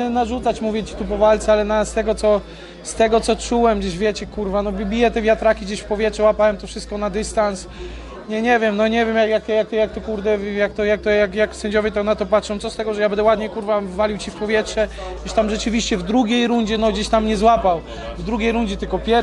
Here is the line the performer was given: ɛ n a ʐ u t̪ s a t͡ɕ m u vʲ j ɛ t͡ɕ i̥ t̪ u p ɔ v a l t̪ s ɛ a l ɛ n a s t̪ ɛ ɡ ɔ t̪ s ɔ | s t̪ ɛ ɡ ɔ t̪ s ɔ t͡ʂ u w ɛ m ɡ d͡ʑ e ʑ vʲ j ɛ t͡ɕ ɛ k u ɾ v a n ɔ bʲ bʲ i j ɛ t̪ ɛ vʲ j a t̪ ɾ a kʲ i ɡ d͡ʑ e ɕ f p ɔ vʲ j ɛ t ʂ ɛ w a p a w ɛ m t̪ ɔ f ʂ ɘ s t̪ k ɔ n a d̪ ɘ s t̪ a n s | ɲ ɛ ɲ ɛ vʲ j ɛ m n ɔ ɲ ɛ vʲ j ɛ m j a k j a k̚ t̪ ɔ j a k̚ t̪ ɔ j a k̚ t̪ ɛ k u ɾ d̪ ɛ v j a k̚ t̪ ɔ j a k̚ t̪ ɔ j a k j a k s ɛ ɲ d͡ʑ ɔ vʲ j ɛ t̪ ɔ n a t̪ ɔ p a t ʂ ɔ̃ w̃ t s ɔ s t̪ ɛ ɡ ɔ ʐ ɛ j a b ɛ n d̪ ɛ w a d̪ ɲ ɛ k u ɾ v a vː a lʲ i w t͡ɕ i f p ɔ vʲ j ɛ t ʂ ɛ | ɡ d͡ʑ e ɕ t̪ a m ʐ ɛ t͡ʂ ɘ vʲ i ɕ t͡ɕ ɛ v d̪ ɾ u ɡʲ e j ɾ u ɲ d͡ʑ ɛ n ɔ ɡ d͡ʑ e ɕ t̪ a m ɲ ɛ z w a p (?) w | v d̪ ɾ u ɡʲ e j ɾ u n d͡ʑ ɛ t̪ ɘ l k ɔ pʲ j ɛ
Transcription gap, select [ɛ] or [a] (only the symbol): a